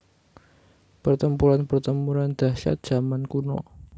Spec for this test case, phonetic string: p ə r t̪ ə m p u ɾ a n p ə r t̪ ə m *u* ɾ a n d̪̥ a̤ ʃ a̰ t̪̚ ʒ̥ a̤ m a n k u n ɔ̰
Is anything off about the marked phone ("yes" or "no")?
no